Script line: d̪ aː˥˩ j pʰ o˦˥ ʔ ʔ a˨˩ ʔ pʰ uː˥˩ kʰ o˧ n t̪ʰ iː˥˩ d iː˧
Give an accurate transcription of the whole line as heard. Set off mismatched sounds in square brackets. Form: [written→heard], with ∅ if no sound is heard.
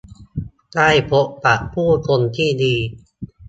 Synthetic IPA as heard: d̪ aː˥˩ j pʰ o˦˥ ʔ [ʔ→p] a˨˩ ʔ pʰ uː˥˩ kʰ o˧ n t̪ʰ iː˥˩ d iː˧